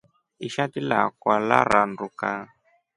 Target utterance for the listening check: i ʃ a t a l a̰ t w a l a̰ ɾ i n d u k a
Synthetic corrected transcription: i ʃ a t i l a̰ k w a l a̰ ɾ a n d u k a